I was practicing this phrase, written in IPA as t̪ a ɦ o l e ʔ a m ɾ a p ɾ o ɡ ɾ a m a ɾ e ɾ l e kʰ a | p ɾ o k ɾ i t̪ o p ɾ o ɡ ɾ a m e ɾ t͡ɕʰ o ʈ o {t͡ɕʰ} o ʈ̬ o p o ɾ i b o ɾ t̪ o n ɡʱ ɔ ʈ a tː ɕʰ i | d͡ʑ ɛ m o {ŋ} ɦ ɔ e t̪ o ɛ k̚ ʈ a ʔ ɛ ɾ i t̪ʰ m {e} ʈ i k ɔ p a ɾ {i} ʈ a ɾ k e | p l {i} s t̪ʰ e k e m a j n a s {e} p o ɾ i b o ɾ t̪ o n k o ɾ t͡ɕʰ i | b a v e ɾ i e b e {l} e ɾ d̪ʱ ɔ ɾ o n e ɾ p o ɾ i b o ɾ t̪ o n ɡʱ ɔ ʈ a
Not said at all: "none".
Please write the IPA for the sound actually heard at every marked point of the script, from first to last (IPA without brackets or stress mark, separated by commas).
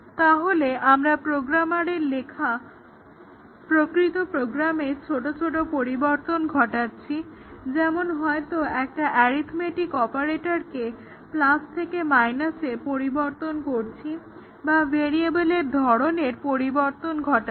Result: t͡ɕʰ, n, e, e, a, e, l